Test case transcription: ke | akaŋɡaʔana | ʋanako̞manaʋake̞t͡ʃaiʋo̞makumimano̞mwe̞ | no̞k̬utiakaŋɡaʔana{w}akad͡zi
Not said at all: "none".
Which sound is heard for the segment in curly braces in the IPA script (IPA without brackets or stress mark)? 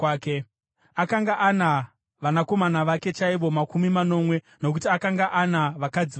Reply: ʋ